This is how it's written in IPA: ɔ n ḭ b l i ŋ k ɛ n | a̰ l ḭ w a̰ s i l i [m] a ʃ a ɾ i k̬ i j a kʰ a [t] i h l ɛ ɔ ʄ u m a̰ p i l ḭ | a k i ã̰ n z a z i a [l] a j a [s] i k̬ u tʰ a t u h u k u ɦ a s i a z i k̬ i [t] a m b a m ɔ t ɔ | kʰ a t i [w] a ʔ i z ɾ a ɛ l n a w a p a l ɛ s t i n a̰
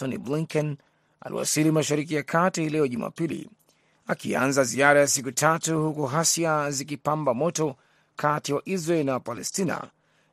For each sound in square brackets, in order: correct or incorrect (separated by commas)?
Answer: correct, correct, incorrect, correct, incorrect, correct